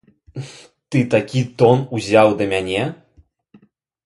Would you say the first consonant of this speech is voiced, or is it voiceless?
voiceless